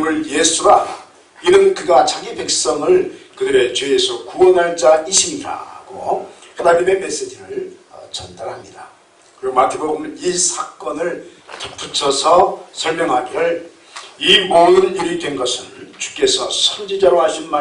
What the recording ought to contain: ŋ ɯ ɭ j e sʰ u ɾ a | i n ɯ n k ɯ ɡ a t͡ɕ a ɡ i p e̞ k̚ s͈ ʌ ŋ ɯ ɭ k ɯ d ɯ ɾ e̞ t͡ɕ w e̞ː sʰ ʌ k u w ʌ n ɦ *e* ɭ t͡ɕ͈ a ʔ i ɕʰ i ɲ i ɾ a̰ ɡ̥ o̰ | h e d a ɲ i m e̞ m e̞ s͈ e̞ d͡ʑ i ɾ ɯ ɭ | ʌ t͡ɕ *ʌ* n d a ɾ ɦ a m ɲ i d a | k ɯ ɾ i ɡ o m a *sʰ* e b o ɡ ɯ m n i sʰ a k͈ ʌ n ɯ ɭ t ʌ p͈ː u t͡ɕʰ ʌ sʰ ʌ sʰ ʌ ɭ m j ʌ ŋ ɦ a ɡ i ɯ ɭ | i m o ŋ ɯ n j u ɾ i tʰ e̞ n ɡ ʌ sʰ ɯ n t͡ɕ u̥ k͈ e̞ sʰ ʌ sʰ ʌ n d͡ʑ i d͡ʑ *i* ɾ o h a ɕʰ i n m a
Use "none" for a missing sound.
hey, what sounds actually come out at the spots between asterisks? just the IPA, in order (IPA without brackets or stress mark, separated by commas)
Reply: a, ʌ, tʰ, a